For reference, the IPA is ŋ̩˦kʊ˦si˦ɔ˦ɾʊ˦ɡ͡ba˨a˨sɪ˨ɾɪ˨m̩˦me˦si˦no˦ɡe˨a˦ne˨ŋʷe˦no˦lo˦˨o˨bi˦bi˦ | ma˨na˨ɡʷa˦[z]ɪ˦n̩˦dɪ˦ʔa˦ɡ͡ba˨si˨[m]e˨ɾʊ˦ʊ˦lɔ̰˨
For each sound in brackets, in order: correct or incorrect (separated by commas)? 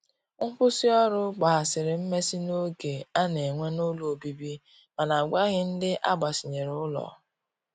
incorrect, incorrect